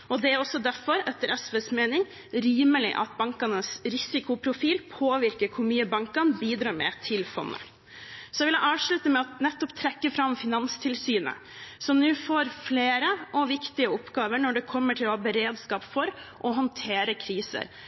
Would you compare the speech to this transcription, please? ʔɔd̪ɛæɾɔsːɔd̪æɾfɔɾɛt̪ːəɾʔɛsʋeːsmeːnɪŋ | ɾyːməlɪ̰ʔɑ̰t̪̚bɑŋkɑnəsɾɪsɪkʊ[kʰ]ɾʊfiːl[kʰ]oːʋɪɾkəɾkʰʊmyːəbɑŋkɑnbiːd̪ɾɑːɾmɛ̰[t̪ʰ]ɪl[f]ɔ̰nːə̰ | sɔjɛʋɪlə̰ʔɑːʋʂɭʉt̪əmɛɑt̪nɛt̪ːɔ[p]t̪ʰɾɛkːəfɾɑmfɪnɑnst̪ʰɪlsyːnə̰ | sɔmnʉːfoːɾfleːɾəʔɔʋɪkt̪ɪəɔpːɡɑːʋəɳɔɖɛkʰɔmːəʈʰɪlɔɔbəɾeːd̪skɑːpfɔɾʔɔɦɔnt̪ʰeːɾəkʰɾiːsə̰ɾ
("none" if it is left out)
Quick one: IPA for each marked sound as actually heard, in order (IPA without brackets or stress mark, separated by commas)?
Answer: pʰ, pʰ, t̪ʰ, f, p